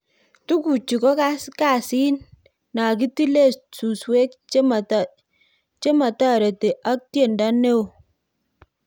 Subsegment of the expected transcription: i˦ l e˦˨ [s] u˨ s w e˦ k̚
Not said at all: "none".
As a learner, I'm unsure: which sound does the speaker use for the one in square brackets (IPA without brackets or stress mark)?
s